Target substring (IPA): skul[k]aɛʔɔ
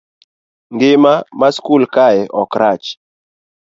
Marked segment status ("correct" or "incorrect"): correct